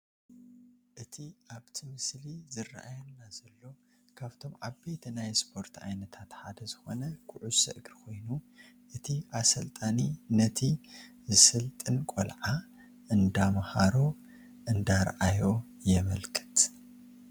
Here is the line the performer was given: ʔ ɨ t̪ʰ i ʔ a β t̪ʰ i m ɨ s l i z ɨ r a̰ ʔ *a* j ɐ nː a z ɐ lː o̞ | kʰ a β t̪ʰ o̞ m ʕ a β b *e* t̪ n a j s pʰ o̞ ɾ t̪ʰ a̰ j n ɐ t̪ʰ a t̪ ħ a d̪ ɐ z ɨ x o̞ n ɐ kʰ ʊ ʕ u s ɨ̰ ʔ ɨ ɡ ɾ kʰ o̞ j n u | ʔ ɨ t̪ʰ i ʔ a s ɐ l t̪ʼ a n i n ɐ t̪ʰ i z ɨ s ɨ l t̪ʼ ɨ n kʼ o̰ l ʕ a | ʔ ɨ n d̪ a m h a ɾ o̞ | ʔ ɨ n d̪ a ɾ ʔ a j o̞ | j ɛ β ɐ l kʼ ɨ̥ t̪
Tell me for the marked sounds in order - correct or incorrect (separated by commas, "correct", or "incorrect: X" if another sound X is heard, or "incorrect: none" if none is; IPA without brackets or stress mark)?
correct, correct